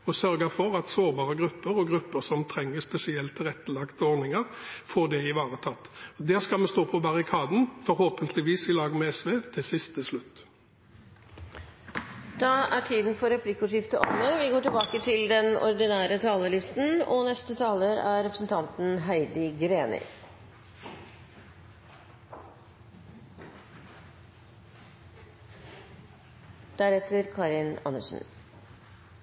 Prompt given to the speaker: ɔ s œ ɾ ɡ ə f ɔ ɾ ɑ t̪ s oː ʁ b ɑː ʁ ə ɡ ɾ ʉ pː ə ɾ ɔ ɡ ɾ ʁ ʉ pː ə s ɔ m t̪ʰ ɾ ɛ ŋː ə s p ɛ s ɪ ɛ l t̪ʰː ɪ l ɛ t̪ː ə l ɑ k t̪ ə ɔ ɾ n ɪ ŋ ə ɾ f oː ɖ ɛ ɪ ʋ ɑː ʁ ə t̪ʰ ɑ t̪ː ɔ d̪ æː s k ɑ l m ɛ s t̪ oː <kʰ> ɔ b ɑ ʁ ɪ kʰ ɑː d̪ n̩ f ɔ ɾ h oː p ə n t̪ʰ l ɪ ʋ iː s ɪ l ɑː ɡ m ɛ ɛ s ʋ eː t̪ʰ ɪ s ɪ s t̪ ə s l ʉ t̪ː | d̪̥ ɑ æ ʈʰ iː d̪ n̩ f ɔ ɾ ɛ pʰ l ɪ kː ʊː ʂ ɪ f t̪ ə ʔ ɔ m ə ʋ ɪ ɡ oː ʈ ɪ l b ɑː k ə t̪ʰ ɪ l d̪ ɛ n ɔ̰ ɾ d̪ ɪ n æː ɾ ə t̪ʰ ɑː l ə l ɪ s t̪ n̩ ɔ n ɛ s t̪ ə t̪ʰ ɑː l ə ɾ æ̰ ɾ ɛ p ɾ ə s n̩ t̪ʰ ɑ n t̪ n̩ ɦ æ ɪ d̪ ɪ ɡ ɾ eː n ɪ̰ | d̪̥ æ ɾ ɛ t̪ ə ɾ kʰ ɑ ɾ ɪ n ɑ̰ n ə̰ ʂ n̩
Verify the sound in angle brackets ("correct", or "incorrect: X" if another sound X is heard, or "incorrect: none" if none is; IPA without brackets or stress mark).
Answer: incorrect: pʰ